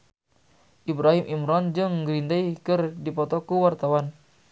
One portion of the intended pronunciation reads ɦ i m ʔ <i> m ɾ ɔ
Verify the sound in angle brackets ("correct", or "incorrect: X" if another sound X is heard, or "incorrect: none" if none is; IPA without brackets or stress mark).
correct